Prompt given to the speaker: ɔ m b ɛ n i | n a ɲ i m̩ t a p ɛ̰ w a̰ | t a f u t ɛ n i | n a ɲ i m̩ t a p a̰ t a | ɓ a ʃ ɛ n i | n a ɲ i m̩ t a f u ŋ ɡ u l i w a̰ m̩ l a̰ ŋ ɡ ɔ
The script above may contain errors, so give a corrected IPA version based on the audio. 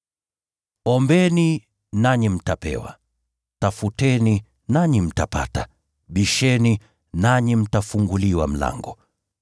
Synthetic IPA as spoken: ɔ m b ɛ n i | n a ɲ i m̩ t a p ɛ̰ w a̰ | t a f u t ɛ n i | n a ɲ i m̩ t a p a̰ t a | ɓ i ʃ ɛ n i | n a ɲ i m̩ t a f u ŋ ɡ u l i w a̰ m̩ l a̰ ŋ ɡ ɔ

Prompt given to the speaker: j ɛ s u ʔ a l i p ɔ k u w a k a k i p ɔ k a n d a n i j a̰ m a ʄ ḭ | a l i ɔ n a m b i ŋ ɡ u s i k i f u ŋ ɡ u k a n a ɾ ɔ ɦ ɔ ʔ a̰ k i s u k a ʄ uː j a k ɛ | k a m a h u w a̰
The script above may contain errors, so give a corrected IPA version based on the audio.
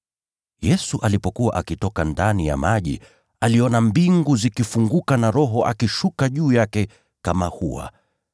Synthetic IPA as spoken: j ɛ s u ʔ a l i p ɔ k u w a ʔ a k i t ɔ k a n d a n i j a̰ m a ʄ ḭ | a l i ɔ n a m b i ŋ ɡ u z i k i f u ŋ ɡ u k a n a ɾ ɔ ɦ ɔ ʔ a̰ k i ʃ u k a ʄ uː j a k ɛ | k a m a h u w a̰

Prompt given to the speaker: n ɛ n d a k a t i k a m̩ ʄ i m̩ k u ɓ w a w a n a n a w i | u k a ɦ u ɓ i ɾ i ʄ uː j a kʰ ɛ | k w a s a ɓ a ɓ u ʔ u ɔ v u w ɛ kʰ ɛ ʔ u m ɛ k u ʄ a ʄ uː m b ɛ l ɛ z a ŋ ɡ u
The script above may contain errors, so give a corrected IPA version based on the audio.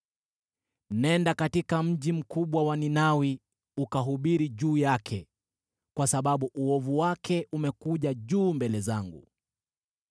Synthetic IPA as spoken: n ɛ n d a k a t i k a m̩ ʄ i m̩ k u ɓ w a w a n i n a w i | u k a ɦ u ɓ i ɾ i ʄ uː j a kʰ ɛ | k w a s a ɓ a ɓ u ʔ u ɔ v u w a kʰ ɛ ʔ u m ɛ k u ʄ a ʄ uː m b ɛ l ɛ z a ŋ ɡ u

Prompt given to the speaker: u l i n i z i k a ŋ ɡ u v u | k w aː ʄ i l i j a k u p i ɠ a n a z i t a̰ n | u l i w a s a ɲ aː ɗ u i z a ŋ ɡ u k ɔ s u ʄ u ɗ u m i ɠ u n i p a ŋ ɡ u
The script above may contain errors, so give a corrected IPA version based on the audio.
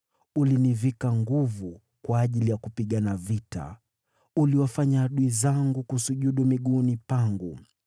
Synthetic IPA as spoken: u l i n i v i k a ŋ ɡ u v u | k w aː ʄ i l i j a k u p i ɠ a n a v i t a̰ | u l i w a f a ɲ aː ɗ u i z a ŋ ɡ u k u s u ʄ u ɗ u m i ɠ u n i p a ŋ ɡ u

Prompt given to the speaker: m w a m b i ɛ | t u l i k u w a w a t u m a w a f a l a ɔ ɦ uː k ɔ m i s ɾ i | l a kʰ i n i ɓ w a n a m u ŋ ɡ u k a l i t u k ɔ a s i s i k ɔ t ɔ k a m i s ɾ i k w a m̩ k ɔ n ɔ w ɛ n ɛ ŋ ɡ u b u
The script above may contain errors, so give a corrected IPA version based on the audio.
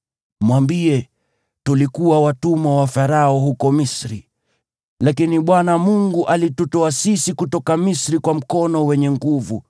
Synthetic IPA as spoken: m w a m b i ɛ | t u l i k u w a w a t u m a w a f a ɾ a ɔ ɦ u k ɔ m i s ɾ i | l a k i n i ɓ w a n a m u ŋ ɡ u ʔ a l i t u t ɔ a s i s i k u t ɔ k a m i s ɾ i k w a m̩ k ɔ n ɔ w ɛ ɲ ɛ ŋ ɡ u v u

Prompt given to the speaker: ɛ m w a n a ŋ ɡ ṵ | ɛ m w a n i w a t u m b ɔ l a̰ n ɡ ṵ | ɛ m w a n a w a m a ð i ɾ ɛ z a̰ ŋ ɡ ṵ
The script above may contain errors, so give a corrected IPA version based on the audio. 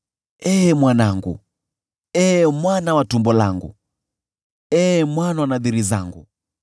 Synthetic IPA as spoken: ɛ m w a n a ŋ ɡ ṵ | ɛ m w a n a w a t u m b ɔ l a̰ ŋ ɡ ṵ | ɛ m w a n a w a n a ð i ɾ i z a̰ ŋ ɡ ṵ

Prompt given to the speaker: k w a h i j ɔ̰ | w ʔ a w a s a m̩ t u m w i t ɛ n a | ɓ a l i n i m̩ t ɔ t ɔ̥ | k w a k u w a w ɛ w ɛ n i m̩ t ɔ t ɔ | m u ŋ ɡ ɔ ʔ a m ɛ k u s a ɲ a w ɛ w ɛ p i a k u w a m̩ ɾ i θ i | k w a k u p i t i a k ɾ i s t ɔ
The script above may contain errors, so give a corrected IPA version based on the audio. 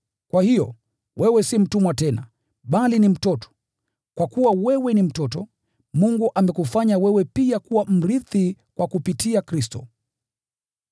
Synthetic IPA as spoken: k w a h i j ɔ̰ | w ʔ ɛ w ɛ s i m̩ t u m w a t ɛ n a | ɓ a l i n i m̩ t ɔ t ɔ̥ | k w a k u w a w ɛ w ɛ n i m̩ t ɔ t ɔ | m u ŋ ɡ u ʔ a m ɛ k u f a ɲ a w ɛ w ɛ p i a k u w a m̩ ɾ i θ i | k w a k u p i t i a k ɾ i s t ɔ

